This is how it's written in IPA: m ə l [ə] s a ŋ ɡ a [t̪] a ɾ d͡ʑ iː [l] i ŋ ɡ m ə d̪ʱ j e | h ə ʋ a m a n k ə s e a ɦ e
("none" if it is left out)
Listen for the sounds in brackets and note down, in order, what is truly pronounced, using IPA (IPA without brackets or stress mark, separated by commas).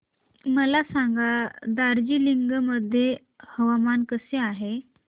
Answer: a, d̪, l